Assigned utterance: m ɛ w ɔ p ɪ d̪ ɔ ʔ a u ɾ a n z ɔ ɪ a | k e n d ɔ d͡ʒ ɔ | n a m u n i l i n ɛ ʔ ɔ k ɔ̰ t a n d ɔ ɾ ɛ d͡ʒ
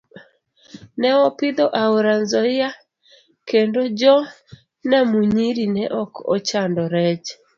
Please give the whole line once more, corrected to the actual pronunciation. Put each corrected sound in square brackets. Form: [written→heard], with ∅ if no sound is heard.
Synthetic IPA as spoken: [m→n] ɛ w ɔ p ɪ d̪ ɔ ʔ a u ɾ a n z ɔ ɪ a | k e n d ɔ d͡ʒ ɔ | n a m u [n→ɲ] i [l→ɾ] i n ɛ ʔ ɔ k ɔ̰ [t→t͡ʃ] a n d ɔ ɾ ɛ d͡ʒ